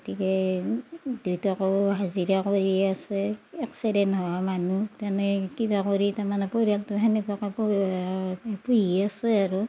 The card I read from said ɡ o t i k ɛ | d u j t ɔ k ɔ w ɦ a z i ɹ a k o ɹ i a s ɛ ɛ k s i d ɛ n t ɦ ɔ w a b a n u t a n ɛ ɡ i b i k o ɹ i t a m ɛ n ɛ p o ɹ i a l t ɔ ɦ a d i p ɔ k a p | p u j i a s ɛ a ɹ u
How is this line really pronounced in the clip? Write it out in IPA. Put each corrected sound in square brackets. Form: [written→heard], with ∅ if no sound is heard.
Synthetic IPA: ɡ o t i k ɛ | d u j t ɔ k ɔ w ɦ a z i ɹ a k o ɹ i a s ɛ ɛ k s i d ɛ n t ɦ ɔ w a [b→m] a n u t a n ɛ [ɡ→k] i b [i→a] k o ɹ i t a m [ɛ→a] n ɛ p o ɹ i a l t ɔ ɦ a [d→n] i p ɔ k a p | p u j i a s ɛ a ɹ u